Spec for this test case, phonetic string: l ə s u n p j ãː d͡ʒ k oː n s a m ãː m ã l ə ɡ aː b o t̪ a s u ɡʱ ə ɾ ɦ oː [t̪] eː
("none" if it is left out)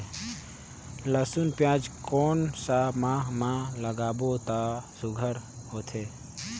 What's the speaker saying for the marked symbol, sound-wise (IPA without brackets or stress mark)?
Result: t̪ʰ